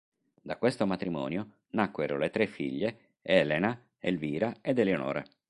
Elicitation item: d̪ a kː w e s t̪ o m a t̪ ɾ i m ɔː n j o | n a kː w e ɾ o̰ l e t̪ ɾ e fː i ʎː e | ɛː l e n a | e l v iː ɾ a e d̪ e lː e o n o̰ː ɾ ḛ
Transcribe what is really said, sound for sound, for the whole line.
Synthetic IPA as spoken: d̪ a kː w e s t̪ o m a t̪ ɾ i m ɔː n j o | n a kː w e ɾ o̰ l e t̪ ɾ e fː i ʎː e | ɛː l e n a | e l v iː ɾ a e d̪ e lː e o n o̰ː ɾ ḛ